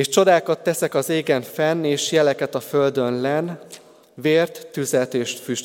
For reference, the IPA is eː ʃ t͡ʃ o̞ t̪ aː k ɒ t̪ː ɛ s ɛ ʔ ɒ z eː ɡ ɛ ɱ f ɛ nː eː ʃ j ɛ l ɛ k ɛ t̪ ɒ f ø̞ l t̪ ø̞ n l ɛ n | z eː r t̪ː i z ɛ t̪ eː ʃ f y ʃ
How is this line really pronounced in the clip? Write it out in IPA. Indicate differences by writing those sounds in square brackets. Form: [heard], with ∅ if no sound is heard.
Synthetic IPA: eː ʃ t͡ʃ o̞ [d̪] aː k ɒ t̪ː ɛ s ɛ [k] ɒ z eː ɡ ɛ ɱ f ɛ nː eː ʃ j ɛ l ɛ k ɛ t̪ ɒ f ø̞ l [d̪] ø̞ n l ɛ n | [v] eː r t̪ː [y] z ɛ t̪ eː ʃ f y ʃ